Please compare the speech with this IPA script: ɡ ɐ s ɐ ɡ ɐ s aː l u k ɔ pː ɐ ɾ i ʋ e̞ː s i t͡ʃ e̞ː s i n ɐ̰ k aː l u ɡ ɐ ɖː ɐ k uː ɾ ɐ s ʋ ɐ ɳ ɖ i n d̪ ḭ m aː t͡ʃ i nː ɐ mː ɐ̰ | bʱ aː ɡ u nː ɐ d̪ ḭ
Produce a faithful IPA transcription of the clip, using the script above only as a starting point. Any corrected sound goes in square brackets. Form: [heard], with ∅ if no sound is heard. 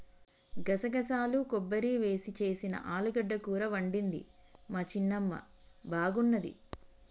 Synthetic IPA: ɡ ɐ s ɐ ɡ ɐ s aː l u k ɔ [bː] ɐ ɾ i ʋ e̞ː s i t͡ʃ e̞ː s i n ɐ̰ [ʔ] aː l u ɡ ɐ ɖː ɐ k uː ɾ ɐ [∅] ʋ ɐ ɳ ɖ i n d̪ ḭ m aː t͡ʃ i nː ɐ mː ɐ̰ | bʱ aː ɡ u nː ɐ d̪ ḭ

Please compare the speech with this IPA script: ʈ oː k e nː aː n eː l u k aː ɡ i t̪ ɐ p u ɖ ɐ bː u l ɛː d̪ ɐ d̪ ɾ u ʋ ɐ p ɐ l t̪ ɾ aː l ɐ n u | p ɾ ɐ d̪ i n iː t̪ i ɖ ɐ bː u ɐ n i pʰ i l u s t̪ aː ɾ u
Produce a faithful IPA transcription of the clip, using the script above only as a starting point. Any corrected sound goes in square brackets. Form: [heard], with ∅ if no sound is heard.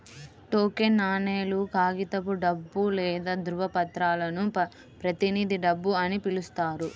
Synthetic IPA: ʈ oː k e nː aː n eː l u k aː ɡ i t̪ ɐ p u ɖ ɐ bː u l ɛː d̪ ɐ d̪ ɾ u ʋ ɐ p ɐ [∅] t̪ ɾ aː l ɐ n u | p ɾ ɐ [t̪] i n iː [d̪] i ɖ ɐ bː u ɐ n i [p] i l u s t̪ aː ɾ u

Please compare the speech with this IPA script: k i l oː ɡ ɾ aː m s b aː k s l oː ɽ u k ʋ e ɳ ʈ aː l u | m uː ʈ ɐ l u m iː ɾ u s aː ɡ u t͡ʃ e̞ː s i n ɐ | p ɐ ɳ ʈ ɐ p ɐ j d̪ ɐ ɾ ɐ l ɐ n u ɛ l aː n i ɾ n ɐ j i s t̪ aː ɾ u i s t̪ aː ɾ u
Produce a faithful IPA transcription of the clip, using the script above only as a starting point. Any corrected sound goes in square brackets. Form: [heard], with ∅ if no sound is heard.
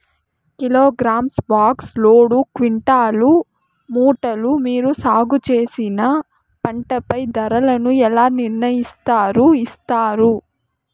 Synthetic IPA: k i l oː ɡ ɾ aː m s b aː k s l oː ɽ u k ʋ [i] ɳ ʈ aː l u | m uː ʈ ɐ l u m iː ɾ u s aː ɡ u t͡ʃ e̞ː s i n ɐ | p ɐ ɳ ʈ ɐ p ɐ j d̪ ɐ ɾ ɐ l ɐ n u ɛ l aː n i ɾ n ɐ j i s t̪ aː ɾ u i s t̪ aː ɾ u

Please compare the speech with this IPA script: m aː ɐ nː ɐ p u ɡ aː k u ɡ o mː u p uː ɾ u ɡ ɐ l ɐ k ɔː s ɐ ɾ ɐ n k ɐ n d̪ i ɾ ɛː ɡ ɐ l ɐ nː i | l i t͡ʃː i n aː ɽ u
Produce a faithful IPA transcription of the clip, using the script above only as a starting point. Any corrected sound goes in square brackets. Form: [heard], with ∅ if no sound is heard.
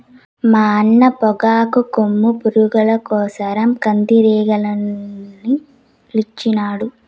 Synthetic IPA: m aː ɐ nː ɐ p [ɔ] ɡ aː k u [k] o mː u p [u] ɾ u ɡ ɐ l ɐ k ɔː s ɐ ɾ ɐ [m] k ɐ n d̪ i ɾ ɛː ɡ ɐ l ɐ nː i | l i t͡ʃː i n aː ɽ u

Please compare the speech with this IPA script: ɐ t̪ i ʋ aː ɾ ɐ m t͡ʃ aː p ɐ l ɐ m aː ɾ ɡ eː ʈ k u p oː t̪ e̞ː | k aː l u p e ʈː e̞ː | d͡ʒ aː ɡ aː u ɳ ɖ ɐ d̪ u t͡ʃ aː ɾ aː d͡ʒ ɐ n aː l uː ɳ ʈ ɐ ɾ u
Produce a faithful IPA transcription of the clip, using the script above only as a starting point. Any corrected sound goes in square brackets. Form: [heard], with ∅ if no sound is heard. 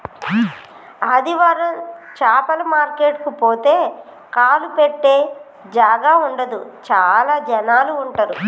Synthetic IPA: ɐ [d̪] i ʋ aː ɾ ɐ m t͡ʃ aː p ɐ l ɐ m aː ɾ [k] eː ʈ k u p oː t̪ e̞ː | k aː l u p e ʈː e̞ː | d͡ʒ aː ɡ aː u ɳ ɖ ɐ d̪ u t͡ʃ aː [l] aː d͡ʒ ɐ n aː l uː ɳ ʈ ɐ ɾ u

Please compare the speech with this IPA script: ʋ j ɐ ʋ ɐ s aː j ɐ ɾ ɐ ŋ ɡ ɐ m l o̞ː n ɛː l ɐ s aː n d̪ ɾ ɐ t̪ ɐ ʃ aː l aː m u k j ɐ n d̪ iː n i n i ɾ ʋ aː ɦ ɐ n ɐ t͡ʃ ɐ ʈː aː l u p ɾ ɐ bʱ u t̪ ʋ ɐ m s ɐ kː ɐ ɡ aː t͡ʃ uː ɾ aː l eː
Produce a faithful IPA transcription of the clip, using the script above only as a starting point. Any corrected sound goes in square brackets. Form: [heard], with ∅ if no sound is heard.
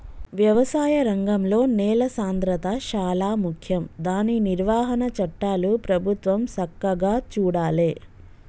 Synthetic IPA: ʋ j ɐ ʋ ɐ s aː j ɐ ɾ ɐ ŋ ɡ ɐ m l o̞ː n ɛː l ɐ s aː n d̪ ɾ ɐ t̪ ɐ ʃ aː l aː m u [kʰ] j ɐ [m] d̪ [aː] n i n i ɾ ʋ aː ɦ ɐ n ɐ t͡ʃ ɐ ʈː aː l u p ɾ ɐ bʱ u t̪ ʋ ɐ m s ɐ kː ɐ ɡ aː t͡ʃ uː [ɽ] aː l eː

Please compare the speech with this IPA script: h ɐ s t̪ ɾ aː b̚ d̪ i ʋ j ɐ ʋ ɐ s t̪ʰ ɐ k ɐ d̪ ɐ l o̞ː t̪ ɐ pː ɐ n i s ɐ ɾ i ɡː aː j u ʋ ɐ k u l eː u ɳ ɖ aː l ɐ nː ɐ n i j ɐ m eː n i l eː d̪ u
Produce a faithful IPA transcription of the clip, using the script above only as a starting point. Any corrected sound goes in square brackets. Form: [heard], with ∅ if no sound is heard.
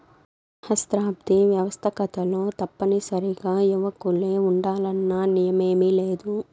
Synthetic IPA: h ɐ s t̪ ɾ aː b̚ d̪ i ʋ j ɐ ʋ ɐ s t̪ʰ ɐ k ɐ [t̪] ɐ l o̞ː t̪ ɐ pː ɐ n i s ɐ ɾ i [ɡ] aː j u ʋ ɐ k u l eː u ɳ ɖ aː l ɐ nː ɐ n i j ɐ m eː [m] i l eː d̪ u

